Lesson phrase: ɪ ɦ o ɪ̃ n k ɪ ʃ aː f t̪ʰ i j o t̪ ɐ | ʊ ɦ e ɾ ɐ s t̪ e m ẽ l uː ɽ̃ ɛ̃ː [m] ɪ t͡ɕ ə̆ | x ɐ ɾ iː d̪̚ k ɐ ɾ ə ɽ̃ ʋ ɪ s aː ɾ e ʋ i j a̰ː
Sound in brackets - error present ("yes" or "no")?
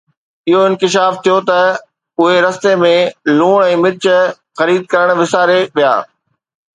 no